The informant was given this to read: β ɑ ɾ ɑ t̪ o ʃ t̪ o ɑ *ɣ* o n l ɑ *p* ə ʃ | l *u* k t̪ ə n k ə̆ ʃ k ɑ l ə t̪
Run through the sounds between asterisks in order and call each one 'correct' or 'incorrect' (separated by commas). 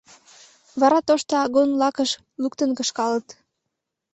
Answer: correct, incorrect, correct